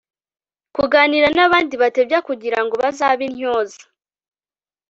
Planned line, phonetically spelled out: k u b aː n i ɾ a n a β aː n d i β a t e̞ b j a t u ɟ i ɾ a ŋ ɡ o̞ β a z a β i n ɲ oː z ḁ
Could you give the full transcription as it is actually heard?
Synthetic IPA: k u ɡ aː n i ɾ a n a β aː n d i β a t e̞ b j a k u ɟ i ɾ a ŋ ɡ o̞ β a z a β i n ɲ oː z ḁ